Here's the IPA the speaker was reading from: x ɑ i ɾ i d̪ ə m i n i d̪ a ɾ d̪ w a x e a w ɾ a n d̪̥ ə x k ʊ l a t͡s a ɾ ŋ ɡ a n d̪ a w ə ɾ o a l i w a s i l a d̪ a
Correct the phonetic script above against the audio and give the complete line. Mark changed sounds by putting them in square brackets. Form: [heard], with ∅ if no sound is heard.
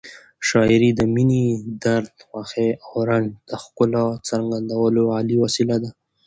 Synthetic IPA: [ʃ] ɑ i ɾ i d̪ ə m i n i d̪ a ɾ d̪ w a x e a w ɾ a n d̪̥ ə x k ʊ l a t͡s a ɾ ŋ ɡ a n d̪ a w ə [l] o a l i w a s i l a d̪ a